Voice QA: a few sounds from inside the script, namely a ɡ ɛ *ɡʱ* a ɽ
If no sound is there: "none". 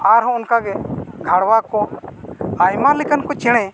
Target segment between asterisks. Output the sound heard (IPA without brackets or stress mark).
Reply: ɡʱ